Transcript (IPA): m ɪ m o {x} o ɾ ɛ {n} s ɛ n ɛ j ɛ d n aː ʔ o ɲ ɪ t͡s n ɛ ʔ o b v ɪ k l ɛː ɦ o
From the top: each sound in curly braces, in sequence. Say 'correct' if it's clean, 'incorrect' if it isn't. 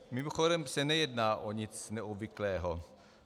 correct, incorrect

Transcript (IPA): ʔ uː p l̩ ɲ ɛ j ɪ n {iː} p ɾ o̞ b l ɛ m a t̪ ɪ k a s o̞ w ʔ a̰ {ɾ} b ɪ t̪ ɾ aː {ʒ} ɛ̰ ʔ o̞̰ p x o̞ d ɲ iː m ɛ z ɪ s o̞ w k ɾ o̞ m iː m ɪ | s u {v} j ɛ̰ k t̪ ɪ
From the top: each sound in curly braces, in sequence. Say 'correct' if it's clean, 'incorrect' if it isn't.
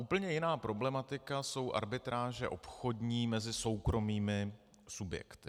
incorrect, correct, correct, incorrect

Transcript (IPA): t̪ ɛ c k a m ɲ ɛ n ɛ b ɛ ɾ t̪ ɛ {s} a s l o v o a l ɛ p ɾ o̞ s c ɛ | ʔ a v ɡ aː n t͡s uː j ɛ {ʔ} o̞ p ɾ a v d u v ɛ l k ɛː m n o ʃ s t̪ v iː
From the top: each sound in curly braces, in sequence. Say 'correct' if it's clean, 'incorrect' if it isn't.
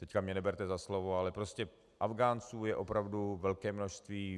incorrect, correct

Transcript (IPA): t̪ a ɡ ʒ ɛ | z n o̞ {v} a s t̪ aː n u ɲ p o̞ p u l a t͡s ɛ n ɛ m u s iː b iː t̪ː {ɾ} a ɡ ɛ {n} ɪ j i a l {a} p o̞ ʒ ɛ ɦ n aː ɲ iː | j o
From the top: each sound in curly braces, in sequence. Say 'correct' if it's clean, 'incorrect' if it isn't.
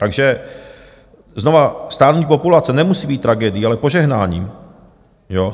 correct, correct, incorrect, incorrect

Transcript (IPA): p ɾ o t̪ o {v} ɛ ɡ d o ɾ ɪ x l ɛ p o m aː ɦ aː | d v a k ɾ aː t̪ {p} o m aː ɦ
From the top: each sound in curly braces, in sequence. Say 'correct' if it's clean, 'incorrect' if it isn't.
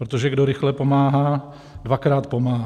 incorrect, correct

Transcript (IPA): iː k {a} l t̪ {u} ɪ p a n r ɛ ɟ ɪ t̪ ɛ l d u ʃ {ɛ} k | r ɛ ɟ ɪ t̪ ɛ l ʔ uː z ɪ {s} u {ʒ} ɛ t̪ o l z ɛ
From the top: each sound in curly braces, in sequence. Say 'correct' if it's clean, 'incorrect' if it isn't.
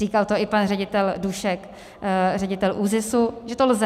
correct, incorrect, correct, correct, correct

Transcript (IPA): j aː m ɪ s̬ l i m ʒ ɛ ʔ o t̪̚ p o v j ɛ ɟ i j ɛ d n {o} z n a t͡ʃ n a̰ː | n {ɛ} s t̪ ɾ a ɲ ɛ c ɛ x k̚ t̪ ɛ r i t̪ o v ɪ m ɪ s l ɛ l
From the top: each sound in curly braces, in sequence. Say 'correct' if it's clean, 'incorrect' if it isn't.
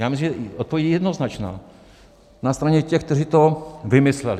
correct, incorrect

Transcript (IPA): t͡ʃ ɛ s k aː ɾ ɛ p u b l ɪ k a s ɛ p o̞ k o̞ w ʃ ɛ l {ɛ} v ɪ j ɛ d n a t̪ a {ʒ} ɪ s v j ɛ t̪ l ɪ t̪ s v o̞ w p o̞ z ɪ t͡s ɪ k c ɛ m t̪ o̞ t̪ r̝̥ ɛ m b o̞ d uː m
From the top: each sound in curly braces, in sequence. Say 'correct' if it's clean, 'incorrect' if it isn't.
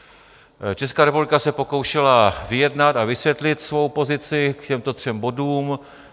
incorrect, incorrect

